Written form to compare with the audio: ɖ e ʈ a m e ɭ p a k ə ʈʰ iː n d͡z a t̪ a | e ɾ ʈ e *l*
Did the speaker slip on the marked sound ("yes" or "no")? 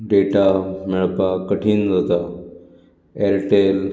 no